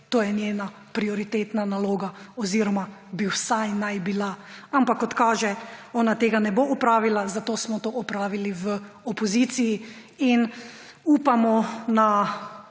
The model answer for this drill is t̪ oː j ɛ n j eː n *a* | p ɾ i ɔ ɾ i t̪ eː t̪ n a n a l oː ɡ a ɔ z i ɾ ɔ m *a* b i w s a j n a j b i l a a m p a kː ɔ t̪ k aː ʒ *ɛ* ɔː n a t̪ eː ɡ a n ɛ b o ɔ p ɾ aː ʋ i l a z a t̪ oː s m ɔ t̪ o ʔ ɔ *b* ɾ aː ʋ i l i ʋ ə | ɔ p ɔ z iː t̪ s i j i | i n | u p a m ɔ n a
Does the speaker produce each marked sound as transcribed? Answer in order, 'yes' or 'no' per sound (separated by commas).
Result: yes, yes, yes, no